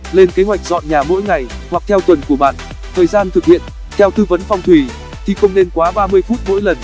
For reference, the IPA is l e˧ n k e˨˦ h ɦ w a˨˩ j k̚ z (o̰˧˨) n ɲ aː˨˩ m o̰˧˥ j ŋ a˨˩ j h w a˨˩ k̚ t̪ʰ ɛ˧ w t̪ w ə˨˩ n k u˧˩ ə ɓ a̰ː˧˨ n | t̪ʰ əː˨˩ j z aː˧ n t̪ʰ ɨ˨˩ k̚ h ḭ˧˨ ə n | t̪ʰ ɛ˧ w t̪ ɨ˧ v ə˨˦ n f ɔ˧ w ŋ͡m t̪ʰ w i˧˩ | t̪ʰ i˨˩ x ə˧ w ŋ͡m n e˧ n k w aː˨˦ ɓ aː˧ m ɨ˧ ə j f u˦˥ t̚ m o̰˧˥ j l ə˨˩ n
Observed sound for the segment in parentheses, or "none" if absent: ɔ̰˧˨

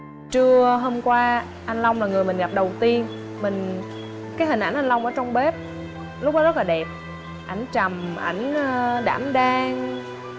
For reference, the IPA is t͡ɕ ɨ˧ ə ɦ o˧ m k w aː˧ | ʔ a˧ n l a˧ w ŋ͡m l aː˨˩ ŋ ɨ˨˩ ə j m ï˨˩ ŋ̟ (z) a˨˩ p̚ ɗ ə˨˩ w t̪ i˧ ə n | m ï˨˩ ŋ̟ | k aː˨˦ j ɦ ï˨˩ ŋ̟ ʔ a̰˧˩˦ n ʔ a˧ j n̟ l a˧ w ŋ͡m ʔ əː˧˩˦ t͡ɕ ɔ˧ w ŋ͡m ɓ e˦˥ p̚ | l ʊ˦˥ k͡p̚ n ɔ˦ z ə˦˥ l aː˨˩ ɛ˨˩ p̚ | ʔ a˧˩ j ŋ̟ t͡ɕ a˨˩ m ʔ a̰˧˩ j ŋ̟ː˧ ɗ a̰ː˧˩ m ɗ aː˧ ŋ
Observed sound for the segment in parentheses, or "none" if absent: ɣ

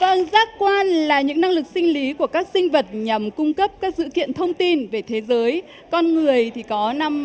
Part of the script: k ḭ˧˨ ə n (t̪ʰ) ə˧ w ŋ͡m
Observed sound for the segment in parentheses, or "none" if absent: t̪ʰ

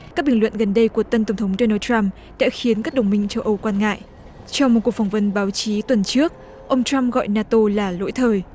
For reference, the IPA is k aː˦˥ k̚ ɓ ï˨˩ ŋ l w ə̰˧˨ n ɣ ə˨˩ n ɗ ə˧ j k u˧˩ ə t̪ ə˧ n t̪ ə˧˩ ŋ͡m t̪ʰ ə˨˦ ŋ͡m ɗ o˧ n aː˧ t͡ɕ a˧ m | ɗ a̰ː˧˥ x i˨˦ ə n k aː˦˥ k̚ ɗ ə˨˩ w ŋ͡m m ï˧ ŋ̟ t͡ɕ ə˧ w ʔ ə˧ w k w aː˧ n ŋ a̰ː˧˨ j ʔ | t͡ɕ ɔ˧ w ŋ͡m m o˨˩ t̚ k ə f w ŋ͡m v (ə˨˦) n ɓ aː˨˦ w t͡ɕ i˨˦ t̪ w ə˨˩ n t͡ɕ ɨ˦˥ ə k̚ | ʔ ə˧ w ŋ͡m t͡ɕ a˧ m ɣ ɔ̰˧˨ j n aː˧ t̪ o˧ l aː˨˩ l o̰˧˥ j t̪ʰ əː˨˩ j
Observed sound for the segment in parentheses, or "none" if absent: ə˨˦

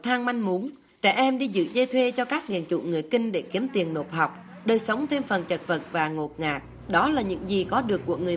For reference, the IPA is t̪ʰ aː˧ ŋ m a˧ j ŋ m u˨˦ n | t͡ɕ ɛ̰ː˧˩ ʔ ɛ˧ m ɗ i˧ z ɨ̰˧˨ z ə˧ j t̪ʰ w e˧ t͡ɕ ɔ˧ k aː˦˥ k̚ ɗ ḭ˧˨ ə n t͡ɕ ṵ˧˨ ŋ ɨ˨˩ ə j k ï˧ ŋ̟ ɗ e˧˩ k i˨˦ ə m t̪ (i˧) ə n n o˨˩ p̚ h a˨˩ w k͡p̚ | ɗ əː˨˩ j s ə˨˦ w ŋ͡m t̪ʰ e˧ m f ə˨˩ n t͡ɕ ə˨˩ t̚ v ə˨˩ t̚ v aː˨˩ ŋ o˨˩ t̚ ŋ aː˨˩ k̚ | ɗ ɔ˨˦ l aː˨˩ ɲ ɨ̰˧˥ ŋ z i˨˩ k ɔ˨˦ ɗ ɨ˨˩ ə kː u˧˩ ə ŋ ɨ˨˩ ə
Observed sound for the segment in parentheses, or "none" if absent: i˨˩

